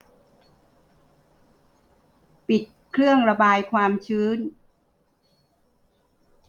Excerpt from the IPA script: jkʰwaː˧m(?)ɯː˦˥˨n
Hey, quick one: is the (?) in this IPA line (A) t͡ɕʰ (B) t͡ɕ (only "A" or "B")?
A